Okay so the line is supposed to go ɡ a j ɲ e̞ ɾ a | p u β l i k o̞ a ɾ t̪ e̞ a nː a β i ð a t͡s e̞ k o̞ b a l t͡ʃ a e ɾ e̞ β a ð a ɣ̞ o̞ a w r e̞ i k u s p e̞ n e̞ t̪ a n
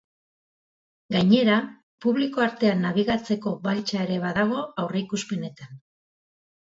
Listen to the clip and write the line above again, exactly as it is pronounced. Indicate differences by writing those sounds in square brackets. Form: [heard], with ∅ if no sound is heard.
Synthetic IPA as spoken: ɡ a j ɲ e̞ ɾ a | p u β l i k o̞ a ɾ t̪ e̞ a nː a β i [ɣ] a t͡s e̞ k o̞ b a l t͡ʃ a e ɾ e̞ β a ð a ɣ̞ o̞ a w r e̞ i k u s p e̞ n e̞ t̪ a n